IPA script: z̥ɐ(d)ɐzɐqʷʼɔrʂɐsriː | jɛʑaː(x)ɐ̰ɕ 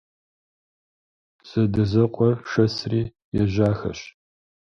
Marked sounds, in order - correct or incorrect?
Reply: correct, correct

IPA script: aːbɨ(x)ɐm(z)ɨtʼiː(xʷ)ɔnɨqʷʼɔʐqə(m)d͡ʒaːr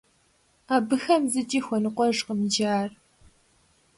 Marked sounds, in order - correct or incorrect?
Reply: correct, correct, correct, correct

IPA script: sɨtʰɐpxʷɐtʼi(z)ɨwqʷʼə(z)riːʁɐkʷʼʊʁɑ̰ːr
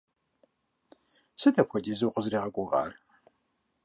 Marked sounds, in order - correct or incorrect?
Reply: correct, correct

